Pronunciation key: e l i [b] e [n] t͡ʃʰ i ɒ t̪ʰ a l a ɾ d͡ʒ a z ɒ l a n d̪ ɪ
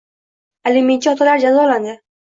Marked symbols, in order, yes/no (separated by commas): no, yes